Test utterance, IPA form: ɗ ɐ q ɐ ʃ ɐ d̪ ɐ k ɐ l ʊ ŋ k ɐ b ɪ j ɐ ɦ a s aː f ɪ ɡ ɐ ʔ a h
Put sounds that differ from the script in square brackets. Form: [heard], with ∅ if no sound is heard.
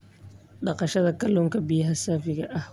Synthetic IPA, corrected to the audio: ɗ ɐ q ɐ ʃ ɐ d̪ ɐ k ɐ l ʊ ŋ k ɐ b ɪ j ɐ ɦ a s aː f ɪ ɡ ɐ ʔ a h